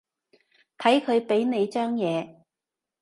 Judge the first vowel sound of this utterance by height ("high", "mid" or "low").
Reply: low